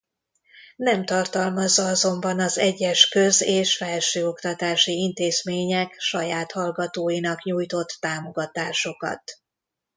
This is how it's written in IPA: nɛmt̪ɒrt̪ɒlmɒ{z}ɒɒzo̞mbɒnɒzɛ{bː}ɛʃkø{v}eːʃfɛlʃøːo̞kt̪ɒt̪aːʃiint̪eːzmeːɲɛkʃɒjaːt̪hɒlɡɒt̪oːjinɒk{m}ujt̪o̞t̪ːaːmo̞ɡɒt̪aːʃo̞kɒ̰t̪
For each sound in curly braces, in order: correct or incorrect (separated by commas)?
incorrect, incorrect, incorrect, incorrect